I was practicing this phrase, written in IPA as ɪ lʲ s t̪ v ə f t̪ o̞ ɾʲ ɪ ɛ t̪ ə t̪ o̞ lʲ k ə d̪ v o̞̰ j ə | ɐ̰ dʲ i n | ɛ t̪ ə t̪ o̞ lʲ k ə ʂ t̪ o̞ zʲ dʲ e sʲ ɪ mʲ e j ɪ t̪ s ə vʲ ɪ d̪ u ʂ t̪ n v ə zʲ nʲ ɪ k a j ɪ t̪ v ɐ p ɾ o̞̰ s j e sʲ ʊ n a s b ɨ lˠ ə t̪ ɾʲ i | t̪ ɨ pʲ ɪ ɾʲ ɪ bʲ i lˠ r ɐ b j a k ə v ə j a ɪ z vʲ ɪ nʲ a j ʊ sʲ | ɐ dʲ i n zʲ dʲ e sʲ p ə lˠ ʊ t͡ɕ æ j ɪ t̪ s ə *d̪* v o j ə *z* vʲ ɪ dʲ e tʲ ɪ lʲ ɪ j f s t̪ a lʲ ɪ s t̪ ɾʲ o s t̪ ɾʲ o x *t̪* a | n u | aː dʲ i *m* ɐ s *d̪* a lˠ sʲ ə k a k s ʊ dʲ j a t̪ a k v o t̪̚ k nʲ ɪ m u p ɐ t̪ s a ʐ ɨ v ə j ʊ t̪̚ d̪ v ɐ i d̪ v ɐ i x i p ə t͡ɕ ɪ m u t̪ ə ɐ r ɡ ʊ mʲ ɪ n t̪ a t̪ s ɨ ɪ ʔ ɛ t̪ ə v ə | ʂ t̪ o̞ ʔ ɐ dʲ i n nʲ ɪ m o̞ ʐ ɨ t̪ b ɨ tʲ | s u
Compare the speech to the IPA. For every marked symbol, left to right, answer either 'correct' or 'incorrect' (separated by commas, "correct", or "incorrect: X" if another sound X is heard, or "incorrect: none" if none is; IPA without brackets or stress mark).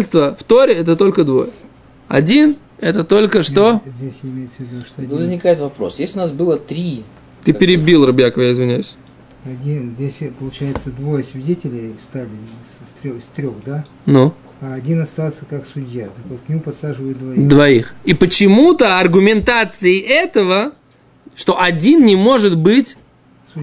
correct, incorrect: s, incorrect: d̪, incorrect: n, incorrect: t̪